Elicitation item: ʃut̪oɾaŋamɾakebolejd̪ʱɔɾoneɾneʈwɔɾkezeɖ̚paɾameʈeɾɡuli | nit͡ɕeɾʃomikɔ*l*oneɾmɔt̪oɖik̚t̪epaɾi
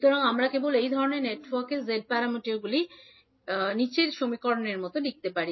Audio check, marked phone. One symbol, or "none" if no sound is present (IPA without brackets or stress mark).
ɾ